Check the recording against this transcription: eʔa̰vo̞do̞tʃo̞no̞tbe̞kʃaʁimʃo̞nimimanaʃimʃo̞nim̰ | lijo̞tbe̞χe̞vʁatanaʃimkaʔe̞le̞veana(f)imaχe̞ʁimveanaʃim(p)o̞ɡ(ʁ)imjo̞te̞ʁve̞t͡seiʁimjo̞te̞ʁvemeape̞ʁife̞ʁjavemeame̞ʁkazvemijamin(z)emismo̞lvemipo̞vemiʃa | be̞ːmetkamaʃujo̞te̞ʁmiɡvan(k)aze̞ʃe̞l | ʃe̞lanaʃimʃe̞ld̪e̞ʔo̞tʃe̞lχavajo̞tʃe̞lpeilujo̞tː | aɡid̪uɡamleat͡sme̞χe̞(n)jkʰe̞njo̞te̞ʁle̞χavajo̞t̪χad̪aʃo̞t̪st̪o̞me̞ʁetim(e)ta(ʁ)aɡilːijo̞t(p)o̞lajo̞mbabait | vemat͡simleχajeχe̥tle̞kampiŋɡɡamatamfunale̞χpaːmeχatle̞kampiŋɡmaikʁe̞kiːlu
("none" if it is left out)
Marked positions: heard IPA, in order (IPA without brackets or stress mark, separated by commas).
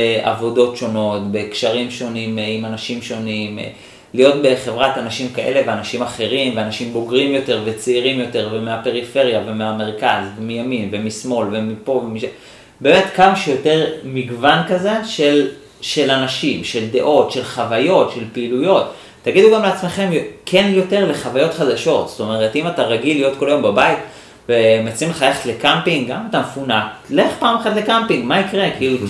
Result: ʃ, b, ʁ, v, k, m, a, ʁ, k